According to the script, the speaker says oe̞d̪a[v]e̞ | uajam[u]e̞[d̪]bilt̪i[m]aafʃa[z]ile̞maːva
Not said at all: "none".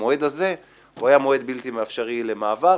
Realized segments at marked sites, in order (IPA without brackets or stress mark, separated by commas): z, o, d̪, m, ʁ